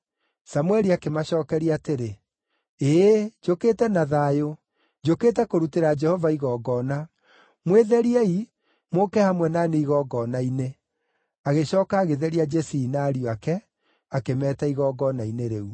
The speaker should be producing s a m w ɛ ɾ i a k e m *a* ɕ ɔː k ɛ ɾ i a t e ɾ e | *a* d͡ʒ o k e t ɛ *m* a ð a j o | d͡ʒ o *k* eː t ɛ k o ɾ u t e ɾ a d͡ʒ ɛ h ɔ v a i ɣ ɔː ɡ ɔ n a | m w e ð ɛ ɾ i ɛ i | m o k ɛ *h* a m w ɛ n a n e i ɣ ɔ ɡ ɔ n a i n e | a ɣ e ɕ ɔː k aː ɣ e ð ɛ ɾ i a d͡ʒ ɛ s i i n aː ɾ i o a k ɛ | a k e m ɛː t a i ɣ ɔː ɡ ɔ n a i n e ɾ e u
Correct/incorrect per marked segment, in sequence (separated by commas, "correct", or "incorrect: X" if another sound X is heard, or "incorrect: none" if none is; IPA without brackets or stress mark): correct, incorrect: e, incorrect: n, correct, correct